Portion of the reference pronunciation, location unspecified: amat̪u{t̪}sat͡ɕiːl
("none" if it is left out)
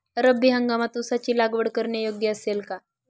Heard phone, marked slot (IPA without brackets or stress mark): none